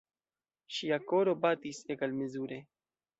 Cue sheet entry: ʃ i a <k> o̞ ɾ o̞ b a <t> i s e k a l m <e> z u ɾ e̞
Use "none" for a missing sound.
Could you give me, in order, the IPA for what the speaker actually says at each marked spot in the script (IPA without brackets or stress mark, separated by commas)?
k, t, e